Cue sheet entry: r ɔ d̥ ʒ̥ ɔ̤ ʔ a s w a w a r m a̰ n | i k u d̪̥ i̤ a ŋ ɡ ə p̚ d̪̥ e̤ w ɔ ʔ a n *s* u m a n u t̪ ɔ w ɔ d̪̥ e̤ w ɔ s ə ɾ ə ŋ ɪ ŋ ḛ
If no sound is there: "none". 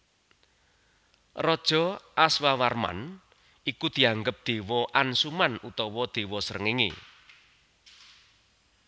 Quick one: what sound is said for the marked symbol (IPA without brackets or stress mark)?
s